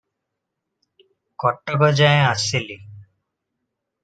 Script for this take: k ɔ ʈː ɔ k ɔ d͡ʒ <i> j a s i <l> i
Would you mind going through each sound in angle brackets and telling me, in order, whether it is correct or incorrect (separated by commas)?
incorrect, correct